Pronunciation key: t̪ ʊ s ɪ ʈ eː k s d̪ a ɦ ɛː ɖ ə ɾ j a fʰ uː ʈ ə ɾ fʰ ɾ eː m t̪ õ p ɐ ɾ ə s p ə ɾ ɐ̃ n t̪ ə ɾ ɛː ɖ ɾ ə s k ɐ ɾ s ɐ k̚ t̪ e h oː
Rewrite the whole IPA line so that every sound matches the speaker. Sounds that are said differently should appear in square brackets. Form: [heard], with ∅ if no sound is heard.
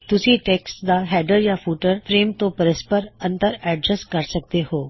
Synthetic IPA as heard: t̪ ʊ s [i] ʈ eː k s d̪ a ɦ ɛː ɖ ə ɾ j a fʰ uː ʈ ə ɾ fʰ ɾ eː m t̪ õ p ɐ ɾ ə s p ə ɾ ɐ̃ n t̪ ə ɾ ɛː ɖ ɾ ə s k ɐ ɾ s ɐ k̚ t̪ e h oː